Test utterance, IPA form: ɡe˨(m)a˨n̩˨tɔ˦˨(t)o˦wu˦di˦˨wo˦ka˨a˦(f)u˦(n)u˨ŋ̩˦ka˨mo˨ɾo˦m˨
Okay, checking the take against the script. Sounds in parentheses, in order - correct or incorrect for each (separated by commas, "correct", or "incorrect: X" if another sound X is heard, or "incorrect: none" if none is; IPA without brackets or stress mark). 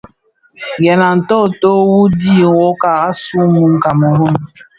incorrect: n, correct, incorrect: s, incorrect: m